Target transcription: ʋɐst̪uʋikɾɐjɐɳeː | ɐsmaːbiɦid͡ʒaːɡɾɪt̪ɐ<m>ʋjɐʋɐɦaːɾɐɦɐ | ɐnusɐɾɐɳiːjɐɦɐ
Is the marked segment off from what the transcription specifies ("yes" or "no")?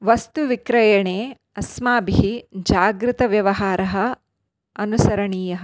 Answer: yes